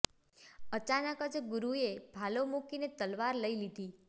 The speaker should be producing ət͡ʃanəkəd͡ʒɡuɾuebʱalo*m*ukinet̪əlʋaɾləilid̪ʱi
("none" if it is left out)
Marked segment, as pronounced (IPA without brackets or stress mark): m